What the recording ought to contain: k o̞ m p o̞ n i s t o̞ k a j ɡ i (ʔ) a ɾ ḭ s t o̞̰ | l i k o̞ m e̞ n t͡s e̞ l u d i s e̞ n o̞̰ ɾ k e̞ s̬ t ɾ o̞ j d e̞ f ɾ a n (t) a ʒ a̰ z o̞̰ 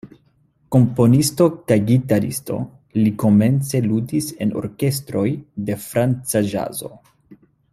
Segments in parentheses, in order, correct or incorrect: incorrect: t, incorrect: t͡s

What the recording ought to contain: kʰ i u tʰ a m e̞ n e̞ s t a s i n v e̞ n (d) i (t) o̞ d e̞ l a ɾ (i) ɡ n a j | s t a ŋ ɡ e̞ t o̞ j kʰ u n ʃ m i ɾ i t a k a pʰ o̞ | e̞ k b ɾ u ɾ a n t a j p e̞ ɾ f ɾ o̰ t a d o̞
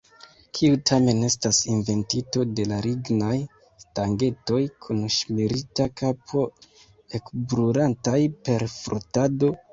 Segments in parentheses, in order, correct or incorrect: incorrect: t, correct, correct

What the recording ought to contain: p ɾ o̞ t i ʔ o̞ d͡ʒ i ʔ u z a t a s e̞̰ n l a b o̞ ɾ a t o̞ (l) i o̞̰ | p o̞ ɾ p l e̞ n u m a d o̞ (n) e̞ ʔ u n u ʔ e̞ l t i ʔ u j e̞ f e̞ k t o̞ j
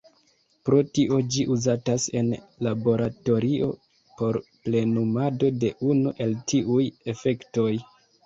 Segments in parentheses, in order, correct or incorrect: incorrect: ɾ, incorrect: d

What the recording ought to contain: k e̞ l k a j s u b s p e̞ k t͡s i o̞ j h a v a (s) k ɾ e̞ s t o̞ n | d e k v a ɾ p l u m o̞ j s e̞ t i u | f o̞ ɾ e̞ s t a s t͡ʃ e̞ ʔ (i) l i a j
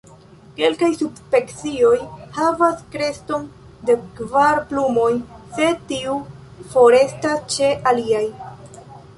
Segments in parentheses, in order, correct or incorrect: correct, incorrect: a

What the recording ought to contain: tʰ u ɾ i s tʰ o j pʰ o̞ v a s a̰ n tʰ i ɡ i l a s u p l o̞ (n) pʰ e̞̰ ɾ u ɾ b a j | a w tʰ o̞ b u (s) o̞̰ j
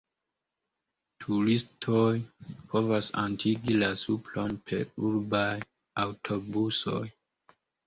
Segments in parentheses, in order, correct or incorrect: correct, correct

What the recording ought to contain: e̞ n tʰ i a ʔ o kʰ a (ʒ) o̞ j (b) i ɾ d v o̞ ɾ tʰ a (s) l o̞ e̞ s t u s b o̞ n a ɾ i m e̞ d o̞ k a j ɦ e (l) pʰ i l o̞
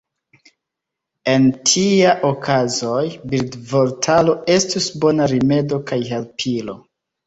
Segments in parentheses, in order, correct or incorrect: incorrect: z, correct, incorrect: none, correct

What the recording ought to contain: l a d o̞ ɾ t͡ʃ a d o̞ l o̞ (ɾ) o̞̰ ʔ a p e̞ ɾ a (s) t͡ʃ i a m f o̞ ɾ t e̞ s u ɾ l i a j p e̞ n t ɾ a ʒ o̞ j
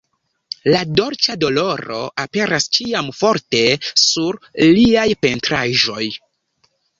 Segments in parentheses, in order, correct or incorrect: correct, correct

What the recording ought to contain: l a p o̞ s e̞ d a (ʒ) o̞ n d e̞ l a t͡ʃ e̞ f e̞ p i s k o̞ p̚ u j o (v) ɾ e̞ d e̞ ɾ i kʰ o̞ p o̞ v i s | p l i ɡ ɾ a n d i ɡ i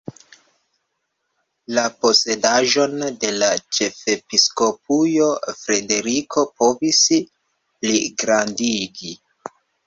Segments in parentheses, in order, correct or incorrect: correct, incorrect: f

